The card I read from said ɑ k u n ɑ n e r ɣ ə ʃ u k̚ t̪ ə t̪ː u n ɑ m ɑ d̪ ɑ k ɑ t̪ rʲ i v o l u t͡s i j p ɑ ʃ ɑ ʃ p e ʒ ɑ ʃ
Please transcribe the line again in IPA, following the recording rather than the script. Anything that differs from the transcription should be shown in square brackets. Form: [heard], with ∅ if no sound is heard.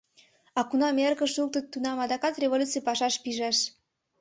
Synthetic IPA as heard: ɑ k u n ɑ [m] e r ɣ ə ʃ u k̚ t̪ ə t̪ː u n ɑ m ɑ d̪ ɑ k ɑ t̪ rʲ [e] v o l u t͡s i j p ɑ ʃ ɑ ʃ p [i] ʒ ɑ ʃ

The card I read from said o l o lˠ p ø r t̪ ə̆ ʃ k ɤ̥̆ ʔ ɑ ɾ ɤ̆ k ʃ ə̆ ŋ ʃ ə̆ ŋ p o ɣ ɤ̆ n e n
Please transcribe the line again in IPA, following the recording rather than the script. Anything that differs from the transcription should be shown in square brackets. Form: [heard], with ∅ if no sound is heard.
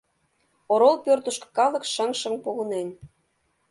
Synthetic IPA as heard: o [ɾ] o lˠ p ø r t̪ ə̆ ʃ k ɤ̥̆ [k] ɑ [l] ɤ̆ k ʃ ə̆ ŋ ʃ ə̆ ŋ p o ɣ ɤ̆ n e n

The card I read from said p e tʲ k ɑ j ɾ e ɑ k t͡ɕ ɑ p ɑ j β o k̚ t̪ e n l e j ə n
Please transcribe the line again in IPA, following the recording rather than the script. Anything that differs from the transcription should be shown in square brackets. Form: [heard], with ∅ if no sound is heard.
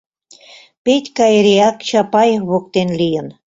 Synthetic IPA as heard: p e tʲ k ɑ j ɾ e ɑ k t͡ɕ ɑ p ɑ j β o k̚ t̪ e n l [i] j ə n

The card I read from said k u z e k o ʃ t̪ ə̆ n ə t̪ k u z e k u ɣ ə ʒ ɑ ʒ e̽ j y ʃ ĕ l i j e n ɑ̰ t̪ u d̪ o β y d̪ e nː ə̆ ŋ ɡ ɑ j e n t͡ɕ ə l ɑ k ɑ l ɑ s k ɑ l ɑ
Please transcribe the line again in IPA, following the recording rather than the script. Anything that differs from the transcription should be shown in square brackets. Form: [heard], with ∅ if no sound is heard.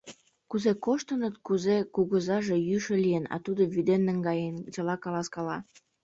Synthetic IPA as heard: k u z e k o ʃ t̪ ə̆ n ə t̪ k u z e k u ɣ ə [z] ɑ ʒ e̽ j y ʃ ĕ l i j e n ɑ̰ t̪ u d̪ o β y d̪ e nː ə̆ ŋ ɡ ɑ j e n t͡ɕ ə l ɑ k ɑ l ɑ s k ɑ l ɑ

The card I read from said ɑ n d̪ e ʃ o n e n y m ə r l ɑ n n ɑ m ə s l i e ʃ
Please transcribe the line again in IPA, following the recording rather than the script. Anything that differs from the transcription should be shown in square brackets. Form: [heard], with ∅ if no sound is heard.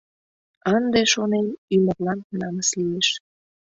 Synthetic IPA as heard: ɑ n d̪ e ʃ o n e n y m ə r l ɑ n n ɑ m ə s l i e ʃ

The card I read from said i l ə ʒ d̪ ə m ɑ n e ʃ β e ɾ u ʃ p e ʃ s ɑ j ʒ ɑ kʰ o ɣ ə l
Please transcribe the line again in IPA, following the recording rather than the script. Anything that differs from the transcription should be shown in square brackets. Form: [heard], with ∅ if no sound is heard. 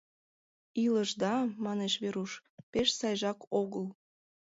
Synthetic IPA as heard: i l ə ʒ d̪ [ɑ] m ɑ n e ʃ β e ɾ u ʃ p e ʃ s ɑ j ʒ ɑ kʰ o ɣ ə l

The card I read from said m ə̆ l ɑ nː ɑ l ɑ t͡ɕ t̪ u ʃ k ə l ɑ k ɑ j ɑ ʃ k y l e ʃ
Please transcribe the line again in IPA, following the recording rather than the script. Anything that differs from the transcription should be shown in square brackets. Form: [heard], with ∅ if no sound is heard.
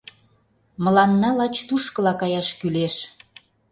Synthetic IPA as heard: m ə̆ l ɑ nː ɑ l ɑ t͡ɕ t̪ u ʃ k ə l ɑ k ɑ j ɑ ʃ k y l e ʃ

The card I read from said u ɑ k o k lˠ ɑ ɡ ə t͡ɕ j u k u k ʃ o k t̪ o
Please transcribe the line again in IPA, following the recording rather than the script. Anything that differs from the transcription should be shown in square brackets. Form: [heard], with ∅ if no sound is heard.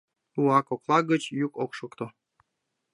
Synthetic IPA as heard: u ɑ k o k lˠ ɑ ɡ ə t͡ɕ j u k [o] k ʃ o k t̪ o

